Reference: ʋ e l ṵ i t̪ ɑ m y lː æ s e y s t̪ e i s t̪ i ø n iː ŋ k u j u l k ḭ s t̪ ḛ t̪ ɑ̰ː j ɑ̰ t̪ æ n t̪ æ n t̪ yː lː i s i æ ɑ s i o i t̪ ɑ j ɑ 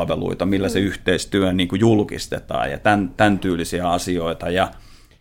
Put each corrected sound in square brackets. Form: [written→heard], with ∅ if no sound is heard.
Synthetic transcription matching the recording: ʋ e l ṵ i t̪ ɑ m [y→i] lː æ s e y [s→h] t̪ e i s t̪ [i→y] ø n iː ŋ k u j u l k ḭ s t̪ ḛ t̪ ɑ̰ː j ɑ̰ t̪ æ n t̪ æ n t̪ yː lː i s i æ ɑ s i o i t̪ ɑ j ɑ